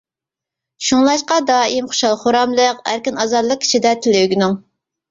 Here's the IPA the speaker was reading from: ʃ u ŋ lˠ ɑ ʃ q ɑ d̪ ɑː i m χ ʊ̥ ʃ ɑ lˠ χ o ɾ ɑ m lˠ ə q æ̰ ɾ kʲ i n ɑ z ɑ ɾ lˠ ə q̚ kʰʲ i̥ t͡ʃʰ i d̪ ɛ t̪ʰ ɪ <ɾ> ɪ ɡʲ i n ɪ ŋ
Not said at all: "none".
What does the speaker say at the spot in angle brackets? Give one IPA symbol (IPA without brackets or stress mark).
l